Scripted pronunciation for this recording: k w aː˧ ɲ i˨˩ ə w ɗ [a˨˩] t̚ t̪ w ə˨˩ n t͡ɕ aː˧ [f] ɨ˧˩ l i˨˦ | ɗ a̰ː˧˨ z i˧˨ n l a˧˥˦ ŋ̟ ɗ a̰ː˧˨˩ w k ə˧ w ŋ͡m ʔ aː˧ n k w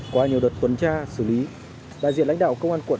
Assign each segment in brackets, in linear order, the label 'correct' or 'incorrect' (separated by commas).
incorrect, incorrect